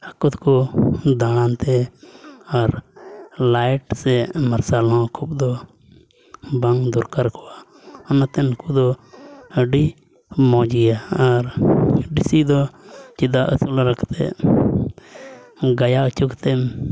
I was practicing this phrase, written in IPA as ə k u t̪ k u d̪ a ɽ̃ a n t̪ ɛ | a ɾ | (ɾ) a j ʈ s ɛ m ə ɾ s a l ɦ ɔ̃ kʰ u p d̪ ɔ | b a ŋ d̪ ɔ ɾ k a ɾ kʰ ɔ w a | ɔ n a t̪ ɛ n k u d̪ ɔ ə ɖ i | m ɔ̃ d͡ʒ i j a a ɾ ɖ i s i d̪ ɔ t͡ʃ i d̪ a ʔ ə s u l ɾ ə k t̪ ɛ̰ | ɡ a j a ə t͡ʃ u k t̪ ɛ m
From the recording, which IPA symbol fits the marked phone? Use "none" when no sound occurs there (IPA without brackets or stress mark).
l